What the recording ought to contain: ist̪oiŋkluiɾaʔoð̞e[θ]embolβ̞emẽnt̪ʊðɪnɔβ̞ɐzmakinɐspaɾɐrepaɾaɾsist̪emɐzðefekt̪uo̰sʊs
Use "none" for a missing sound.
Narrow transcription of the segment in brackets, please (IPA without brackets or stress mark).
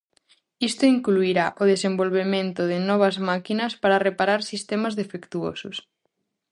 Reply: s